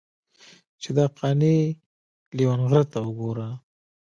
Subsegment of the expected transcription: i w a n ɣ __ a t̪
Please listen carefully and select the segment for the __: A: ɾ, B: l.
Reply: A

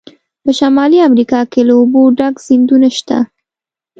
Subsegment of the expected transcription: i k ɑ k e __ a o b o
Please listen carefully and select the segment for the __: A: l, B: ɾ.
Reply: A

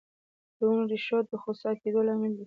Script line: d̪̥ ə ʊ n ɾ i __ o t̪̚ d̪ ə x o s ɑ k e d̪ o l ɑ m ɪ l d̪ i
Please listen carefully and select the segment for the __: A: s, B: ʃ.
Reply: B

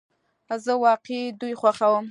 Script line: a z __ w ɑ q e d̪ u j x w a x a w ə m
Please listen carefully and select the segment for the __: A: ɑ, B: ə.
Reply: B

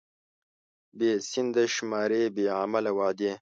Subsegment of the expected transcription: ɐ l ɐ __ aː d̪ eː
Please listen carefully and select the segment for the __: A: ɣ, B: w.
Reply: B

